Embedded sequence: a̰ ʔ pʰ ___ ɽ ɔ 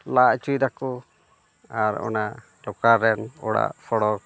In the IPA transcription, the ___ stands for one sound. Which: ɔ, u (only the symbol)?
ɔ